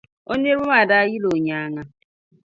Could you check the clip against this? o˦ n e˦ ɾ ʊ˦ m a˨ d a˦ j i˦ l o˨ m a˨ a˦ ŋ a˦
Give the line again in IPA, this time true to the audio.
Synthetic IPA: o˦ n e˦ ɾ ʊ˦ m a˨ d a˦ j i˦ l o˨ ɲ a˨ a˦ ŋ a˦

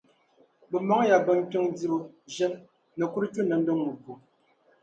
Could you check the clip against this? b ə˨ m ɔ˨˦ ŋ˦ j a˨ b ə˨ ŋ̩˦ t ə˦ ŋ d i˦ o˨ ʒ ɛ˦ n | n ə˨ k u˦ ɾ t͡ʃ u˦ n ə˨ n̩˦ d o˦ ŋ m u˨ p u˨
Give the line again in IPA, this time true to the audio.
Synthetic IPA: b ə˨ m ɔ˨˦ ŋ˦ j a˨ b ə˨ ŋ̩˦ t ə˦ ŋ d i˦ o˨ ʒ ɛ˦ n | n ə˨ k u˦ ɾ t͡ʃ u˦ n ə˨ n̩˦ d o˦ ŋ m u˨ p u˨

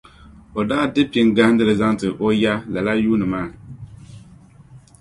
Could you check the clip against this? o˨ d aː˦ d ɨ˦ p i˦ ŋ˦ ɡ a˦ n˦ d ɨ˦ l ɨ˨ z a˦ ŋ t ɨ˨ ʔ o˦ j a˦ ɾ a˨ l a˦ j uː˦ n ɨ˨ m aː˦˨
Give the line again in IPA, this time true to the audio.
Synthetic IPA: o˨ d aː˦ d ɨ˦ p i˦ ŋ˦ ɡ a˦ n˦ d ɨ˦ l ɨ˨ z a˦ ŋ t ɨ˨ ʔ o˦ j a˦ l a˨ l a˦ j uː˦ n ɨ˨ m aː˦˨

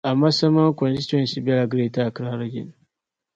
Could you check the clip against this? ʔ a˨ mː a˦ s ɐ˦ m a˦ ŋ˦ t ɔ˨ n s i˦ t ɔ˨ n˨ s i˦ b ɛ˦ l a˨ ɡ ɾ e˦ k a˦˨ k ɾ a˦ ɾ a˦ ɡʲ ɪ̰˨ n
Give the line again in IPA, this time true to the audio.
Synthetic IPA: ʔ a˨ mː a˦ s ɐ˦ m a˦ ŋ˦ k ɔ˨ n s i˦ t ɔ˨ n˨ s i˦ b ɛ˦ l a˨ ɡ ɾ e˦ t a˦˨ k ɾ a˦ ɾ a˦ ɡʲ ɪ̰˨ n

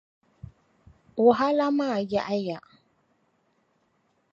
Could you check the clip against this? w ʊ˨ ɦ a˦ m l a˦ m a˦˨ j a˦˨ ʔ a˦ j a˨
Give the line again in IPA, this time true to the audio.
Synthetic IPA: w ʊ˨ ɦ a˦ l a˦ m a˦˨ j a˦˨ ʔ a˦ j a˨

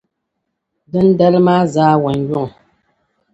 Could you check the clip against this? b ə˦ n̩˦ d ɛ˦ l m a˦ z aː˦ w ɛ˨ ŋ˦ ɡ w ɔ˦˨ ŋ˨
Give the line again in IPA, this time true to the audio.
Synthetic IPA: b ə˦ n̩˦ d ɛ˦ l m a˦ z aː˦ w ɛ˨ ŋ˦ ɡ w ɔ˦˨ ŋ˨

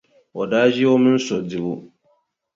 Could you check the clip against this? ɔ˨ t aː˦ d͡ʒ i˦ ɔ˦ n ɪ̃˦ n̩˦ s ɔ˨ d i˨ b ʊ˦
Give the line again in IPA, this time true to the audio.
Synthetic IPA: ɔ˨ d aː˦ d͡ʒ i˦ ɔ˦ m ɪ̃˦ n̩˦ s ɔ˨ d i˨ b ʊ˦

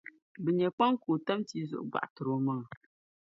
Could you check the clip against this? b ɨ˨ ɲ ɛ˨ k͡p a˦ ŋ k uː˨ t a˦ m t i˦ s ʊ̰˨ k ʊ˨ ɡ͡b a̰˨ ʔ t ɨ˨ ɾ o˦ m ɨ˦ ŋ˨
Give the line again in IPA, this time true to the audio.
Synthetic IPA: b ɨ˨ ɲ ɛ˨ k͡p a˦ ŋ k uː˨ t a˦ m t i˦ z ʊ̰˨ ʔ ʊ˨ ɡ͡b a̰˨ ʔ t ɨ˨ ɾ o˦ m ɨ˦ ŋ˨

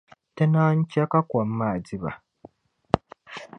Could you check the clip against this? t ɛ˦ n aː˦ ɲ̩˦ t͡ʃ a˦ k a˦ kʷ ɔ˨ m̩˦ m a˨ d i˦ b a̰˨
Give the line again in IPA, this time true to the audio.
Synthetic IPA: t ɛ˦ n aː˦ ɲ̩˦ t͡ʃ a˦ k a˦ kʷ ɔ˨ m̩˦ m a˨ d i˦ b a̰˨

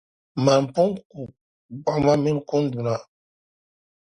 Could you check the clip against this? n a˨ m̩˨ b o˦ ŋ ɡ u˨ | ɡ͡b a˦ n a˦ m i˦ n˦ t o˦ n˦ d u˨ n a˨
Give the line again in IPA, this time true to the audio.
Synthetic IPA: m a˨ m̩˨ p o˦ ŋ k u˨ | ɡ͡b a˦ m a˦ m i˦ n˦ k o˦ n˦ d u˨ n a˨

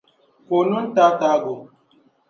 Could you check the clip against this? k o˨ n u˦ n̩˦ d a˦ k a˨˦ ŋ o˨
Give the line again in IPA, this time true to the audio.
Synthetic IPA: k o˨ n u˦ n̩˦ t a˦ t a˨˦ ɡ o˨

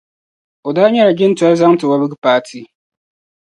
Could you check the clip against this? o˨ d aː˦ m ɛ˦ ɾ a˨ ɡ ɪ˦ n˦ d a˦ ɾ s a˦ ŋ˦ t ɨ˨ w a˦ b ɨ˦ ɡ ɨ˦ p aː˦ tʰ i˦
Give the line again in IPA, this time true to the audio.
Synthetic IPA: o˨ d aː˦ ɲ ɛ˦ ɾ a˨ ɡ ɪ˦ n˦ t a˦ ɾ z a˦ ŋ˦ t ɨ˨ w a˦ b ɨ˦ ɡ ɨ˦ p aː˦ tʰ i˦

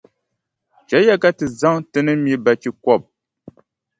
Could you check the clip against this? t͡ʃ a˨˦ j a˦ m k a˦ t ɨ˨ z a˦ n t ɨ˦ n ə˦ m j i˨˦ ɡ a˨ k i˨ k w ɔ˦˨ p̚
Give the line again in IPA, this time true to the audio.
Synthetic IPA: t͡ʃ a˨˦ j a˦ k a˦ t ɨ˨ z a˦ ŋ t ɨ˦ n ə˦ m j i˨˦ b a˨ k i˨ k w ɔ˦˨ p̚

